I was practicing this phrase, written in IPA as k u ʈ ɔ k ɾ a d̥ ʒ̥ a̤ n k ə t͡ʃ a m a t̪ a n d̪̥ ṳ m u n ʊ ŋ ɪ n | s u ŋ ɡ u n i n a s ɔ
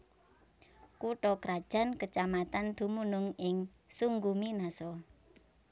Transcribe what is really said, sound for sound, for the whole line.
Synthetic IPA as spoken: k u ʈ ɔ k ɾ a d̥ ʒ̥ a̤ n k ə t͡ʃ a m a t̪ a n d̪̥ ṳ m u n ʊ ŋ ɪ ŋ | s u ŋ ɡ u m i n a s ɔ